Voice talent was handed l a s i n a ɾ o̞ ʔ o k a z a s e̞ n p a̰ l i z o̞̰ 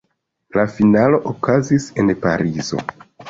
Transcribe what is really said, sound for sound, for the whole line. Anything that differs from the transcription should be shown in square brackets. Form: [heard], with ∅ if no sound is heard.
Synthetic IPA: l a [f] i n a [l] o̞ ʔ o k a z [i] s e̞ n p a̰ [ɾ] i z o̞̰